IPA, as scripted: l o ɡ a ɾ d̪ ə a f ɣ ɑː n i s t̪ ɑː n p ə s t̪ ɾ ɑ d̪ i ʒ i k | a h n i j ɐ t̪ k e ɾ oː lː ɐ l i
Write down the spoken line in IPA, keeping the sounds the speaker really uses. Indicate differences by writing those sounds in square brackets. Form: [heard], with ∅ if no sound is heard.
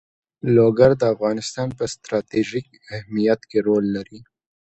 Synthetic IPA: l o ɡ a ɾ d̪ ə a f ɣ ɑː n [ɪ] s t̪ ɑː n p ə s t̪ ɾ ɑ [t̪] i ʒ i k | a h [m] i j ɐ t̪ k e ɾ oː lː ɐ [ɾ] i